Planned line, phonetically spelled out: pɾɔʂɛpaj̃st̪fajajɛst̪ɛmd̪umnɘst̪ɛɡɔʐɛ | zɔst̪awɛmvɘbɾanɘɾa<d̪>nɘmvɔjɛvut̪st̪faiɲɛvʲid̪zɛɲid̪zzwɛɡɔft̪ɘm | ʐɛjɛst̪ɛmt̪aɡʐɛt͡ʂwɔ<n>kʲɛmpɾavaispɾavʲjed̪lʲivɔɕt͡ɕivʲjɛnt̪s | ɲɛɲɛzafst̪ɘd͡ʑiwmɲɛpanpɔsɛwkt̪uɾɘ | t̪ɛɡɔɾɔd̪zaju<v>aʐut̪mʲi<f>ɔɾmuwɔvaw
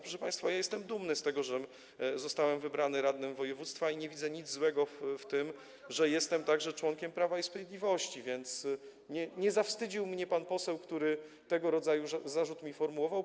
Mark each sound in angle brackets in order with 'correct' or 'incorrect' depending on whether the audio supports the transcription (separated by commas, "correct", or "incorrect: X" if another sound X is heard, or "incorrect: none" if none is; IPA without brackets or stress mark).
correct, incorrect: ŋ, incorrect: z, correct